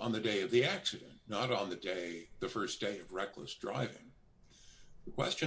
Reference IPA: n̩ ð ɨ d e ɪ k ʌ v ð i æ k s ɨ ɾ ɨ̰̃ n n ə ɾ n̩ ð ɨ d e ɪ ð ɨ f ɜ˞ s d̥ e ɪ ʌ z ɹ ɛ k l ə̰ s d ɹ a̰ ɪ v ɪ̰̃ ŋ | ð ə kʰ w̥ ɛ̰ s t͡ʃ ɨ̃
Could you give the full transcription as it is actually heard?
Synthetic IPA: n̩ ð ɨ d e ɪ ʌ v ð i æ k s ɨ ɾ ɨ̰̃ n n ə ɾ n̩ ð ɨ d e ɪ ð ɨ f ɜ˞ s d̥ e ɪ ʌ v ɹ ɛ k l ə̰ s d ɹ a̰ ɪ v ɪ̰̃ ŋ | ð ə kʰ w̥ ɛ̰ s t͡ʃ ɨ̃

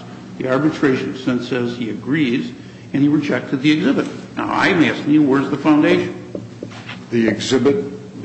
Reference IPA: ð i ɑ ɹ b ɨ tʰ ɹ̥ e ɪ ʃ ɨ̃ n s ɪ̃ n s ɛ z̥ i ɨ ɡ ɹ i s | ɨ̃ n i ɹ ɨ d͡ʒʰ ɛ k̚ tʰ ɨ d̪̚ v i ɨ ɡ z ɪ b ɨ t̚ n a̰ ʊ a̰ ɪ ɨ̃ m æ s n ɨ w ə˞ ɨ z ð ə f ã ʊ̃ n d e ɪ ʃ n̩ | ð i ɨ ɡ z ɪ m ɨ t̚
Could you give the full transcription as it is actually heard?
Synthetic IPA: ð i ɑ ɹ b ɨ tʰ ɹ̥ e ɪ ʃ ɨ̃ n s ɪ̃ n s ɛ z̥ i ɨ ɡ ɹ i z | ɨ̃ n i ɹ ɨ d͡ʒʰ ɛ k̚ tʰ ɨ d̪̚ ð i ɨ ɡ z ɪ b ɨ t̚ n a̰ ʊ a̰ ɪ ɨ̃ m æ s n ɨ w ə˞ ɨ z ð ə f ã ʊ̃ n d e ɪ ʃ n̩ | ð i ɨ ɡ z ɪ b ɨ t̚

